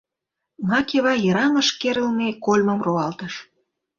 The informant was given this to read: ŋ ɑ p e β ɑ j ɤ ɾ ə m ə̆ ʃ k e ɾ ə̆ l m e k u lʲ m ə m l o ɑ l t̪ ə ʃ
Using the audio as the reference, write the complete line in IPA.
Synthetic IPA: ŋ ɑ k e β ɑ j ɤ ɾ ɑ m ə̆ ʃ k e ɾ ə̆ l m e k o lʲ m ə m r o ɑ l t̪ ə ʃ

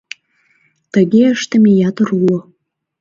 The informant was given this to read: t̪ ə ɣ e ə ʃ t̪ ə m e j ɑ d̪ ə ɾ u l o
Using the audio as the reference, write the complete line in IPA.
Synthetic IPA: t̪ ə ɣ e ə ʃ t̪ ə m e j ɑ t̪ ə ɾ u l o

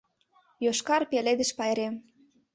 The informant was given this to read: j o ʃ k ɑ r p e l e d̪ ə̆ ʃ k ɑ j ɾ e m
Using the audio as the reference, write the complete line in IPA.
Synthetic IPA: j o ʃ k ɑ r p e l e d̪ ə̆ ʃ p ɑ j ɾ e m

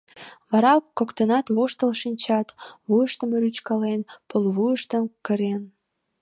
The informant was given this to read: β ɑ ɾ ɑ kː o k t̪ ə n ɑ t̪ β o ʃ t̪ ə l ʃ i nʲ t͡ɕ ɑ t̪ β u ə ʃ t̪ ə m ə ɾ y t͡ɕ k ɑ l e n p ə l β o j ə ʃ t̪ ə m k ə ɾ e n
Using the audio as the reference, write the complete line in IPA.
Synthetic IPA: β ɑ ɾ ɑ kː o k t̪ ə n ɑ t̪ β o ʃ t̪ ə l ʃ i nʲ t͡ɕ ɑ t̪ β u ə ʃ t̪ ə m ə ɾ y t͡ɕ k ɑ l e n p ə l β u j ə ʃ t̪ ə m k ə ɾ e n

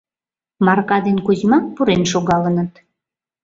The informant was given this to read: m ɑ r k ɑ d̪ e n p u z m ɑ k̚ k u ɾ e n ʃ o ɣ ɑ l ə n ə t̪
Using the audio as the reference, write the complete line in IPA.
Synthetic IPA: m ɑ r k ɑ d̪ e n k u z m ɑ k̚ p u ɾ e n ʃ o ɣ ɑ l ə n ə t̪

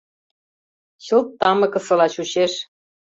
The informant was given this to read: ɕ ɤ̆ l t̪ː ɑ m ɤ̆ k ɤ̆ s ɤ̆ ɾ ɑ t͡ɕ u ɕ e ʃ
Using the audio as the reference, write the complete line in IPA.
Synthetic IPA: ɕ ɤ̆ l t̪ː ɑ m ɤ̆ k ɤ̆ s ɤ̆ l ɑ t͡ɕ u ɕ e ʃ

